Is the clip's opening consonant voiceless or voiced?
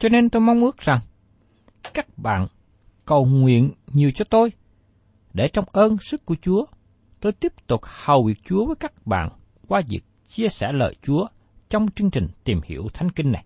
voiceless